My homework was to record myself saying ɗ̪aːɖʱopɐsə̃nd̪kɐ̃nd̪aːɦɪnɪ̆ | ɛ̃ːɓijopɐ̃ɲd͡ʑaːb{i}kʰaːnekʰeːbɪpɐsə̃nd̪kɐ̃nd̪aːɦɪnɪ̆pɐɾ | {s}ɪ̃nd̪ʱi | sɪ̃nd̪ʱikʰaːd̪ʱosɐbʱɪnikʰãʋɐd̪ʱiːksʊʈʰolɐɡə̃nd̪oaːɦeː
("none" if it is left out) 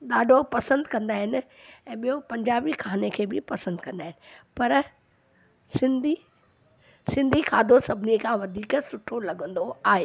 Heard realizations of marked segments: i, s

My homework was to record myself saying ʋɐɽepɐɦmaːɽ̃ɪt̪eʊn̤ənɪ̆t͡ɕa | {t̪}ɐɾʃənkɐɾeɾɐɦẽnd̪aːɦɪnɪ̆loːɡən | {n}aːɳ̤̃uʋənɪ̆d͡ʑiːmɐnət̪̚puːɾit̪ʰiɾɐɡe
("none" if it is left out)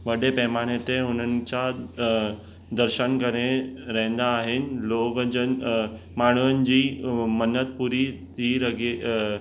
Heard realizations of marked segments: d̪, m

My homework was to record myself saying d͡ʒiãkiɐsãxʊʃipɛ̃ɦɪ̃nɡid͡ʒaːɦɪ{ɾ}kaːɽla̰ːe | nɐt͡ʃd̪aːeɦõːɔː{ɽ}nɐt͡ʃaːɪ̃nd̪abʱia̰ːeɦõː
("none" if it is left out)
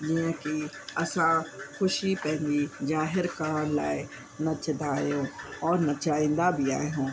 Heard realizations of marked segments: ɾ, ɾ

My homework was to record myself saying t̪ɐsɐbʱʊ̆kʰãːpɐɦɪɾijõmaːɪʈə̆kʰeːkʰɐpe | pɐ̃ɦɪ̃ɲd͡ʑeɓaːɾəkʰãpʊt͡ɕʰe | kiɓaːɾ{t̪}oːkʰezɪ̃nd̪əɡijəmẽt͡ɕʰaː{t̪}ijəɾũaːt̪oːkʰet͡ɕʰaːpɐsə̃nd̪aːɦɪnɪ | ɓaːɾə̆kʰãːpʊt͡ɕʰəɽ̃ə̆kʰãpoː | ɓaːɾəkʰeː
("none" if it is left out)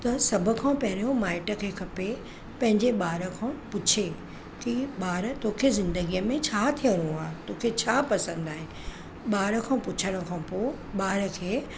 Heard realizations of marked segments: t̪, t̪ʰ

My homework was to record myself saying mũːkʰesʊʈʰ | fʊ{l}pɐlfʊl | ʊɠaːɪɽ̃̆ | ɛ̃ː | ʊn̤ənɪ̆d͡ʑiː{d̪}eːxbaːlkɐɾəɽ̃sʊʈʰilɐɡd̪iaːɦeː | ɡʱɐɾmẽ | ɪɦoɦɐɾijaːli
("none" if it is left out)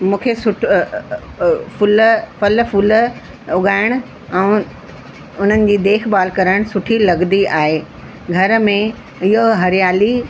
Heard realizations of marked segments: l, d̪

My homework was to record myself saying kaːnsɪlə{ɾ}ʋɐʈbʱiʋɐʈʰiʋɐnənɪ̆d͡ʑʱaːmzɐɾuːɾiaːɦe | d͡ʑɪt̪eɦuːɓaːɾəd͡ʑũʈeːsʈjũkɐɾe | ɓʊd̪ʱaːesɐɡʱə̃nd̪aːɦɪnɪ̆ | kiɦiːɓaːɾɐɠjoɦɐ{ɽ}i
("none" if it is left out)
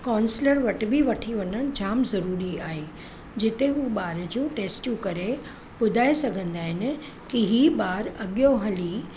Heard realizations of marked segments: ɾ, l

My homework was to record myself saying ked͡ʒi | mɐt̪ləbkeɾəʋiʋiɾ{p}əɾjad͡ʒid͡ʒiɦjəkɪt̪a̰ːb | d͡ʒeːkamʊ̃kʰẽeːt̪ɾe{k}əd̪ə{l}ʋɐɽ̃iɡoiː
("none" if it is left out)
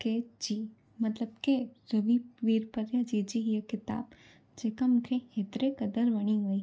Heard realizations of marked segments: p, k, ɾ

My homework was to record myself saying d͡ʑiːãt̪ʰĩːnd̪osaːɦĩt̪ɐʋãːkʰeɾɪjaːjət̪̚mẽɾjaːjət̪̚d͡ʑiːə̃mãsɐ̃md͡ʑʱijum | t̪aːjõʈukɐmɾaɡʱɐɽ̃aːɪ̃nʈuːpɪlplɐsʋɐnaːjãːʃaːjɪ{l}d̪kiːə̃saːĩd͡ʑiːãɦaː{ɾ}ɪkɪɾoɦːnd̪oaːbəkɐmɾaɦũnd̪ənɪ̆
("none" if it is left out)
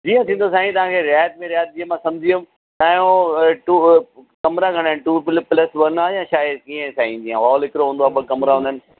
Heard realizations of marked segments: none, l

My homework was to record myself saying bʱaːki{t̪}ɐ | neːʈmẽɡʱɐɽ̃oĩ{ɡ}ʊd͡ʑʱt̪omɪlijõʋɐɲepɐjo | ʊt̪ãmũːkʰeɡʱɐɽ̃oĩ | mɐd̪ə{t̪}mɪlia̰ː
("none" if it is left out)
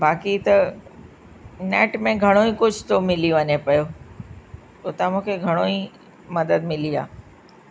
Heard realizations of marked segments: t̪, k, d̪

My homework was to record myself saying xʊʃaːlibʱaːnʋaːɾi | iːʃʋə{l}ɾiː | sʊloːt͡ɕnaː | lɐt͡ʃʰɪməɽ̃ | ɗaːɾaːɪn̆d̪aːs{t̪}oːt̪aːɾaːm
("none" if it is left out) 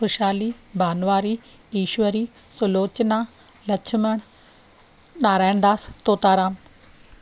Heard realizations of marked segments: none, t̪

